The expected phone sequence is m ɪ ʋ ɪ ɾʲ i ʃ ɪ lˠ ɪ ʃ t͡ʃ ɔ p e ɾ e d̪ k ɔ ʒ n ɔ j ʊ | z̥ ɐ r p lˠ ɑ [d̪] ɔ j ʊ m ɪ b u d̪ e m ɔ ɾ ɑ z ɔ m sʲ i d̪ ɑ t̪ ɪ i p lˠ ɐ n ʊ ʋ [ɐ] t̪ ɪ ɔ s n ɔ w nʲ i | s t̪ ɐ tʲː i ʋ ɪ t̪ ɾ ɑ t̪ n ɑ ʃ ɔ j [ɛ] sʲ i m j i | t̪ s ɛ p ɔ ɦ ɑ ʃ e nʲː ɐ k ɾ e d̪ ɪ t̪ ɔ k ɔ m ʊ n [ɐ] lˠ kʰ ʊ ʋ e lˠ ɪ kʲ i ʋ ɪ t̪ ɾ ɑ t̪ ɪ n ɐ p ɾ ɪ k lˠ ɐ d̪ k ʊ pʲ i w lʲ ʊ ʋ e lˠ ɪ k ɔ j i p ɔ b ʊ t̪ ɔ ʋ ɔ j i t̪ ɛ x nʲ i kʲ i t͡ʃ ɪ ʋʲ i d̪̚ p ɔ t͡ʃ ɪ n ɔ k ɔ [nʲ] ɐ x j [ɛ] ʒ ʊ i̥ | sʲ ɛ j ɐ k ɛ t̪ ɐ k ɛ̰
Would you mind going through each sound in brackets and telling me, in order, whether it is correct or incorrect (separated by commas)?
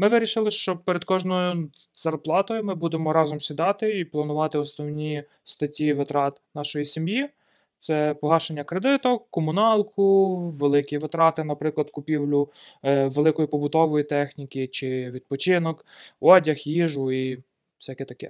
incorrect, incorrect, incorrect, incorrect, incorrect, incorrect